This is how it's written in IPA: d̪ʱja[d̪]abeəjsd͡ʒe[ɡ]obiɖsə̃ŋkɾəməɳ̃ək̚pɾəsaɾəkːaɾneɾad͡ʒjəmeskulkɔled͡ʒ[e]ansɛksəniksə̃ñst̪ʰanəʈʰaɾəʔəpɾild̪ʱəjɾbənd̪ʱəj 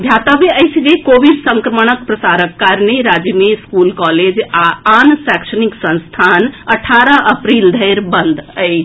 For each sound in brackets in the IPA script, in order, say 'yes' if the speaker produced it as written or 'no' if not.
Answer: no, no, no

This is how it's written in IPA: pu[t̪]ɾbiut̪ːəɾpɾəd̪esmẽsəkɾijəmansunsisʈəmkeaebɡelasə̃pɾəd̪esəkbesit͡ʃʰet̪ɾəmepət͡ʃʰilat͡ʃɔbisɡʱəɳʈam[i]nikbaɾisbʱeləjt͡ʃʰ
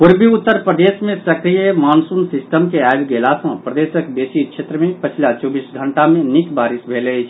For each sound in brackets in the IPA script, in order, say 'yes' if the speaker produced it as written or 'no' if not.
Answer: no, no

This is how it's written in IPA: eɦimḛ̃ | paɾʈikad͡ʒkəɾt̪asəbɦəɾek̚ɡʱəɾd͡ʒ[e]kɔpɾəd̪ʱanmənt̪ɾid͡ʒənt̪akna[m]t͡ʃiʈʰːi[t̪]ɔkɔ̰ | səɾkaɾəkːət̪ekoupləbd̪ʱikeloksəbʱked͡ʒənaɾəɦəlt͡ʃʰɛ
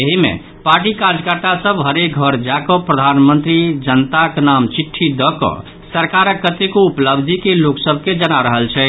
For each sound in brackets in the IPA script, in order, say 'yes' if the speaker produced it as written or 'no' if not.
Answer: no, yes, no

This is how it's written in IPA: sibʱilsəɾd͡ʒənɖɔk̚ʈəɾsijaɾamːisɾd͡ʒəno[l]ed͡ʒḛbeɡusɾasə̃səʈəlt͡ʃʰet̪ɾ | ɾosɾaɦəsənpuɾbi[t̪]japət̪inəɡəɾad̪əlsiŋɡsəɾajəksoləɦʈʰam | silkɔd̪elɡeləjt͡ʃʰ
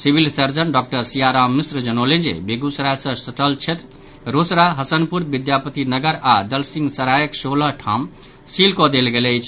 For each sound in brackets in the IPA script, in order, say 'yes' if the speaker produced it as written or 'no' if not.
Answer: yes, no

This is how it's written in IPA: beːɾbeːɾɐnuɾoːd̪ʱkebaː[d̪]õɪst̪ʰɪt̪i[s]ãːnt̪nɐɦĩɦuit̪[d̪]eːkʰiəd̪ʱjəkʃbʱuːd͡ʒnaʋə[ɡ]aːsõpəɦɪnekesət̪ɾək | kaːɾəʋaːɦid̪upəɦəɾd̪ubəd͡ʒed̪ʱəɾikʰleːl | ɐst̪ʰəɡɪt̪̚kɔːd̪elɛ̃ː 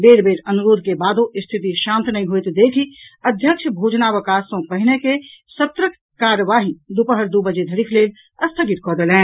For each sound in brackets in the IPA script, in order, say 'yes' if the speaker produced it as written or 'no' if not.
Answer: yes, no, yes, no

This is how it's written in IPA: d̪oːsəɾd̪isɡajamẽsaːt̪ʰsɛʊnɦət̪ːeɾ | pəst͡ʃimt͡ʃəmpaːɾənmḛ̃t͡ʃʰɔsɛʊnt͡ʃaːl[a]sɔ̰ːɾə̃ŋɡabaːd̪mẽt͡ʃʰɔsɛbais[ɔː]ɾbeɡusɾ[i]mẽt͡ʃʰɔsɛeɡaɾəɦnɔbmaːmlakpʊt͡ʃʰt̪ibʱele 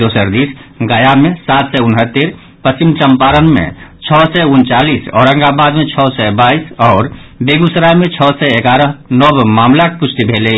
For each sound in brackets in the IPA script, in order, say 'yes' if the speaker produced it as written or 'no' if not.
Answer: no, yes, no

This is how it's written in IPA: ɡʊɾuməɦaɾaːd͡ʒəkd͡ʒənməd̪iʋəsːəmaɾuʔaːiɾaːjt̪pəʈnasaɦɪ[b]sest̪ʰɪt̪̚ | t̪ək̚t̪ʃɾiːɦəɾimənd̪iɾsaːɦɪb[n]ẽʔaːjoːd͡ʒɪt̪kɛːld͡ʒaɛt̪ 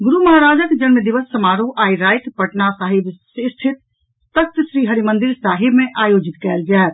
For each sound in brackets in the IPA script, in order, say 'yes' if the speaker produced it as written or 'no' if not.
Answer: yes, no

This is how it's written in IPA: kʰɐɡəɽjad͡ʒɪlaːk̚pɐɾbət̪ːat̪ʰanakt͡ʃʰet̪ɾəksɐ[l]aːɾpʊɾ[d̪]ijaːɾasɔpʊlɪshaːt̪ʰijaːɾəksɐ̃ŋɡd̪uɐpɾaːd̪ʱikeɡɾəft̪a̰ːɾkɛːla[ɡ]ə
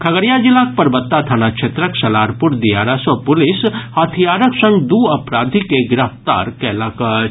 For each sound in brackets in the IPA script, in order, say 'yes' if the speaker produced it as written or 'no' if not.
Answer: yes, yes, no

